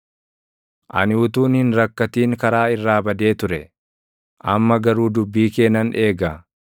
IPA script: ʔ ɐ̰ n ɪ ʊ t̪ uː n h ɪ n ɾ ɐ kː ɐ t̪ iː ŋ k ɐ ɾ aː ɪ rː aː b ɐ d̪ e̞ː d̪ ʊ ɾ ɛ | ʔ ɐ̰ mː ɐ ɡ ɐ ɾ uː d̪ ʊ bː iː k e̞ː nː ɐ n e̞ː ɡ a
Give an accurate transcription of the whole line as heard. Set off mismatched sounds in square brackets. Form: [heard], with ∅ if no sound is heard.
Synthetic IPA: ʔ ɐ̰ n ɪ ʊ t̪ uː n h ɪ n ɾ ɐ kː ɐ t̪ iː ŋ k ɐ ɾ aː ɪ rː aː b ɐ d̪ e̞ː [t̪] ʊ ɾ ɛ | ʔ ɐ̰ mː ɐ ɡ ɐ ɾ uː d̪ ʊ bː iː k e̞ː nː ɐ n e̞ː ɡ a